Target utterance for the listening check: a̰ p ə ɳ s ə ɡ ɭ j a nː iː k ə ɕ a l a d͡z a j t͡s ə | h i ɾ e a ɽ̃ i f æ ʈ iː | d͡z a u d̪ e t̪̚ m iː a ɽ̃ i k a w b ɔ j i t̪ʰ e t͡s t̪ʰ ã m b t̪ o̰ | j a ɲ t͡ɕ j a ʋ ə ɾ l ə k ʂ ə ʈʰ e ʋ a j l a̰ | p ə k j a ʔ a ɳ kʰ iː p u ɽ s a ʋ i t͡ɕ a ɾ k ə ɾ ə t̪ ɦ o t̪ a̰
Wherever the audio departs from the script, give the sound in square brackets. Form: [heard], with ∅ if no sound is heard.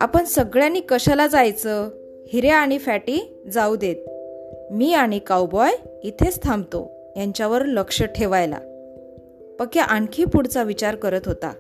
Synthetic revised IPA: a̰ p ə ɳ s ə ɡ ɭ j a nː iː k ə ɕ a l a d͡z a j t͡s ə | h i ɾ e a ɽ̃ i f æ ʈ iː | d͡z a u d̪ e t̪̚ m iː a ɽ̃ i k a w b ɔ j i t̪ʰ e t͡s t̪ʰ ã m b t̪ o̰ | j a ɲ t͡ɕ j a ʋ ə ɾ l ə k ʂ ə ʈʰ e ʋ a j l a̰ | p ə k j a ʔ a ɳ kʰ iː p u ɽ [t͡s] a ʋ i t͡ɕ a ɾ k ə ɾ ə t̪ ɦ o t̪ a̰